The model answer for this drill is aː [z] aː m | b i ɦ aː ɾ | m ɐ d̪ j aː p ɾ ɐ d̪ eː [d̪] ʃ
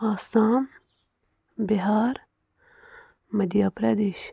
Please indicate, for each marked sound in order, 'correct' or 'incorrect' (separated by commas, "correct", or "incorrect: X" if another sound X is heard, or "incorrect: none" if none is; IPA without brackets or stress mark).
incorrect: s, incorrect: none